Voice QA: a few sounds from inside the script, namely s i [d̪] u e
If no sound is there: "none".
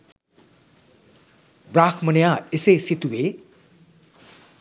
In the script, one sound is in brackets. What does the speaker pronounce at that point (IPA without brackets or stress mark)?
t̪